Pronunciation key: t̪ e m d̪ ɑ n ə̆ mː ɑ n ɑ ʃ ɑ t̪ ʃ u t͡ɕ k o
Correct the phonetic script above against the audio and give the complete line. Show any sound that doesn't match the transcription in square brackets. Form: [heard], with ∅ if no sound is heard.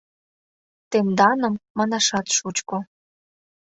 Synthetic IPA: t̪ e m d̪ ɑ n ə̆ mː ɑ n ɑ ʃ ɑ t̪ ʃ u t͡ɕ k o